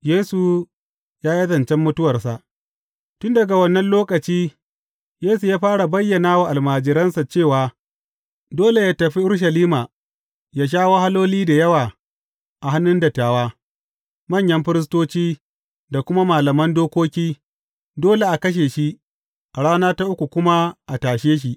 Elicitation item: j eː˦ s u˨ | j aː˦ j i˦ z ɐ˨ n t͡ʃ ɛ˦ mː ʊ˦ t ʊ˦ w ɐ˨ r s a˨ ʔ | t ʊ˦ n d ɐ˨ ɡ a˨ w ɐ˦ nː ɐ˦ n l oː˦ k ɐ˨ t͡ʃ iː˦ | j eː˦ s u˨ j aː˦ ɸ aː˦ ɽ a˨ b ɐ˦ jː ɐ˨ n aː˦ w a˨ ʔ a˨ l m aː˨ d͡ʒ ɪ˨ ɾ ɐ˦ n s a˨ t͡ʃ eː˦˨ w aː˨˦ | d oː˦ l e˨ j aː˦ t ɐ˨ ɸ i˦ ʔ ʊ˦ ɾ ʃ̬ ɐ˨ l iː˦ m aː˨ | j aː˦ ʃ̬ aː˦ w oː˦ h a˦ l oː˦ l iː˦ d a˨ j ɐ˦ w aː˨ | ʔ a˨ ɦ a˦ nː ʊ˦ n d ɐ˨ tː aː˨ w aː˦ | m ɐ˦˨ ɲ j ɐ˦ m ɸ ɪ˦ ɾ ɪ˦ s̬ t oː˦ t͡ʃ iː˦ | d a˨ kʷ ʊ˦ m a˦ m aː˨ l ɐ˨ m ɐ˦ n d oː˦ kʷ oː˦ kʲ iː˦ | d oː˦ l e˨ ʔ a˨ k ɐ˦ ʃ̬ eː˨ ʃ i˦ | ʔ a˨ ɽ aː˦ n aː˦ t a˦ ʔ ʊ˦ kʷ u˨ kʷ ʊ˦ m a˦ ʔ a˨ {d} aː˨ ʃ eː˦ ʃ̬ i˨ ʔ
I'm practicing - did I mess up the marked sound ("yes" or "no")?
yes